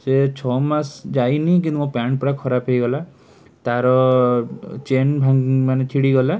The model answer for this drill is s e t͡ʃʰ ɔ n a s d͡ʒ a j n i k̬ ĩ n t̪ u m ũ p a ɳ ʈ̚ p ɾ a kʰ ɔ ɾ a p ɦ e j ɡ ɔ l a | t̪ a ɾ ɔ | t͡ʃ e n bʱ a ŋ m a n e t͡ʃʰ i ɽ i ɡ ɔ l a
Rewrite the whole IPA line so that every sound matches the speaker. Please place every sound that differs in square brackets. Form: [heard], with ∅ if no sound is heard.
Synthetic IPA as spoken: s e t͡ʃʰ ɔ [m] a s d͡ʒ a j n i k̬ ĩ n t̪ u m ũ p a ɳ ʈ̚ p ɾ a kʰ ɔ ɾ a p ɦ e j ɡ ɔ l a | t̪ a ɾ ɔ | t͡ʃ e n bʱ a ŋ m a n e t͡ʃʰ i ɽ i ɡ ɔ l a